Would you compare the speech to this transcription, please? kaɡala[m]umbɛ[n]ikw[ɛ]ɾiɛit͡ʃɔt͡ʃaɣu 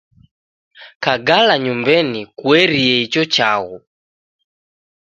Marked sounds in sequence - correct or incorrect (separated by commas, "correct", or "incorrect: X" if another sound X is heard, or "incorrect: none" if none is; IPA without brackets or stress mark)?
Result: incorrect: ɲ, correct, correct